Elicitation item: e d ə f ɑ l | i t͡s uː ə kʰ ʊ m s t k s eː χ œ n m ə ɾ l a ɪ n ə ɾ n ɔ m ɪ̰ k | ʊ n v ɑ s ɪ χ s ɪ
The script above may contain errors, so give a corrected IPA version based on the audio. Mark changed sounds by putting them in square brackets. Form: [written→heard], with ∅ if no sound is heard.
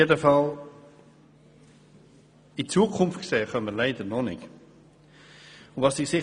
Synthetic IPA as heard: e d ə f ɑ l | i t͡s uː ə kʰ ʊ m [s→f] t k s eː χ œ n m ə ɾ l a ɪ [n→d] ə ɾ n ɔ [m→n] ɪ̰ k | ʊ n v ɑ s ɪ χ s ɪ